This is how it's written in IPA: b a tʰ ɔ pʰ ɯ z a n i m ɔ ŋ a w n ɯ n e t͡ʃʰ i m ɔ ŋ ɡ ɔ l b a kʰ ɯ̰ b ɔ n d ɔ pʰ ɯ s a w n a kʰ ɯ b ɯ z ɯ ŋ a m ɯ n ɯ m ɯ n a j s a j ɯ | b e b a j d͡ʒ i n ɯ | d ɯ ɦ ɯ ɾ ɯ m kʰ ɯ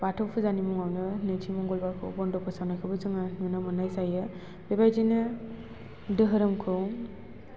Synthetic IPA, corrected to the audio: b a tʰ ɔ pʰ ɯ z a n i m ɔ ŋ a w n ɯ n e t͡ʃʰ i m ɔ ŋ ɡ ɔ l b a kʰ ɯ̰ b ɔ n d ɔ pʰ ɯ s a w n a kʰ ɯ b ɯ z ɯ ŋ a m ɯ n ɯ m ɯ n a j s a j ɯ | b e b a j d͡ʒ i n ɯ | d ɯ ɦ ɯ ɾ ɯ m kʰ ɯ